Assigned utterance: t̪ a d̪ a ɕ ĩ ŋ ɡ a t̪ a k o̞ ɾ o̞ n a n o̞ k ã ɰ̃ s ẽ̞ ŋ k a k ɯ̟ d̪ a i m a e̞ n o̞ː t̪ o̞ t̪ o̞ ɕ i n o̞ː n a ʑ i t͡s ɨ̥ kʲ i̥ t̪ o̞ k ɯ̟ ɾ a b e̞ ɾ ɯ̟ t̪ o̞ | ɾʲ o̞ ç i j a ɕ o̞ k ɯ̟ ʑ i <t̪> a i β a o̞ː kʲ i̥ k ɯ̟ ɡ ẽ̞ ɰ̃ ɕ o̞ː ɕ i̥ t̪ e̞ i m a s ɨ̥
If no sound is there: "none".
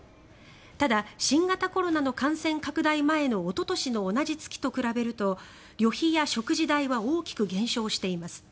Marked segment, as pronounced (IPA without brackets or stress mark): d̪